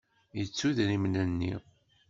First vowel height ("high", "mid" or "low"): mid